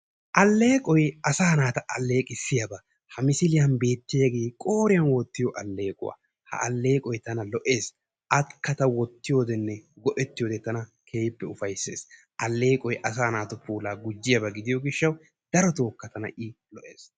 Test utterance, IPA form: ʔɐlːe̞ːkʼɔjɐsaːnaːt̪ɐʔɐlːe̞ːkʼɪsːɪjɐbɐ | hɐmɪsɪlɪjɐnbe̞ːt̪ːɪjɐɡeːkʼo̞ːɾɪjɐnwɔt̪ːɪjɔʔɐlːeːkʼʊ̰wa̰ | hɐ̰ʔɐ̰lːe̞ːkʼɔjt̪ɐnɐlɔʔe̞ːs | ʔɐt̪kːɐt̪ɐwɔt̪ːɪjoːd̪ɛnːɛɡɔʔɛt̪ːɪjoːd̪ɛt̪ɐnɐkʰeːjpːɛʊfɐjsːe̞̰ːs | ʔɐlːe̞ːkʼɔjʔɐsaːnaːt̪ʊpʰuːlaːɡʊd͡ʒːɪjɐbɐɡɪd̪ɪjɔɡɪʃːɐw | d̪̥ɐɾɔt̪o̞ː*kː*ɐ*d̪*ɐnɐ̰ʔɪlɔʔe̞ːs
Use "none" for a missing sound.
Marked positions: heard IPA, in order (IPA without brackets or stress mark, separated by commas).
kː, t̪